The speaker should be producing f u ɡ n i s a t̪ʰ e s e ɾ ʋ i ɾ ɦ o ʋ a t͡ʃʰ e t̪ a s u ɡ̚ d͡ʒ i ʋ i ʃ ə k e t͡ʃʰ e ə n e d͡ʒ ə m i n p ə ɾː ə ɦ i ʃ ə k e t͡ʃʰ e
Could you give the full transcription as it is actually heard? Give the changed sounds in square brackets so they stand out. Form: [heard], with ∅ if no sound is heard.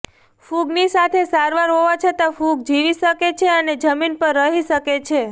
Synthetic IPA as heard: f u ɡ n i s a t̪ʰ e s [a] ɾ ʋ [a] ɾ ɦ o ʋ a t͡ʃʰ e t̪ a [f] u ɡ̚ d͡ʒ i ʋ i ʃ ə k e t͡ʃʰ e ə n e d͡ʒ ə m i n p ə ɾː ə ɦ i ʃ ə k e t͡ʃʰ e